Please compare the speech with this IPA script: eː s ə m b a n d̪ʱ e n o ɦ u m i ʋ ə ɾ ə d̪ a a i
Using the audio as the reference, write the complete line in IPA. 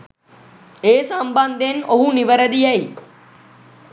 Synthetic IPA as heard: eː s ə m b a n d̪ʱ e n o ɦ u n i ʋ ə ɾ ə d̪ i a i